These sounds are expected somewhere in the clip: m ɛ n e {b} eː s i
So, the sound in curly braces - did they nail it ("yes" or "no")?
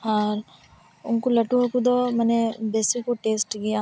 yes